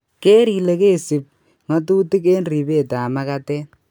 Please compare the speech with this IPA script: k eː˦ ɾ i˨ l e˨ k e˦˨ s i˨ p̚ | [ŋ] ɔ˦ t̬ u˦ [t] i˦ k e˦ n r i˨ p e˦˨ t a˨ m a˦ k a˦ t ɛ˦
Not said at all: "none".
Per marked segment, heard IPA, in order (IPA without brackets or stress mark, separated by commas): ŋ, t